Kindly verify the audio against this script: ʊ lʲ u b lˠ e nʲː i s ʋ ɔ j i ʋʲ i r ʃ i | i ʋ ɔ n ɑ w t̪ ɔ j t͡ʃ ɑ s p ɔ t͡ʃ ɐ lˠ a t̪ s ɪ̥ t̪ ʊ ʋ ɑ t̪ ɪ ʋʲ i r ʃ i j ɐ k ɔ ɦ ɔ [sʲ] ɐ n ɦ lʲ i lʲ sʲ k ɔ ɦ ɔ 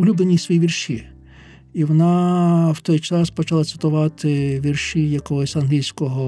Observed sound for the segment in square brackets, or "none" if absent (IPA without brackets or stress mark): sʲ